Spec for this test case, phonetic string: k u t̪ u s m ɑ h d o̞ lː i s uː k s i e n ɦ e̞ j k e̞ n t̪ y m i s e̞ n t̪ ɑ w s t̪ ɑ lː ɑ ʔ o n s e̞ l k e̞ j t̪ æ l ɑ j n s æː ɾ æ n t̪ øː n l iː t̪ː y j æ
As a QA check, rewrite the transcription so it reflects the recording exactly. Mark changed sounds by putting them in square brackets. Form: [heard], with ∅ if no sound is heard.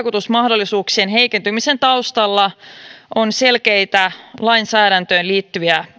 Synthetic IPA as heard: k u t̪ u s m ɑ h d o̞ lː i s uː k s i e n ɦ e̞ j k e̞ n t̪ y m i s e̞ n t̪ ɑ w s t̪ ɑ lː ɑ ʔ o n s e̞ l k e̞ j t̪ æ l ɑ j n s æː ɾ æ n t̪ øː n l iː t̪ː y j æ